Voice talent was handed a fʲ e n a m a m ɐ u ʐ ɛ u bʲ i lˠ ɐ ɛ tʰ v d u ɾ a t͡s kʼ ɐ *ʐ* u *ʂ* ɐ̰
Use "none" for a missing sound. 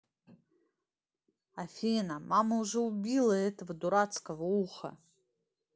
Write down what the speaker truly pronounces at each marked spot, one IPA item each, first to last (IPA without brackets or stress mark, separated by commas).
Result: v, χ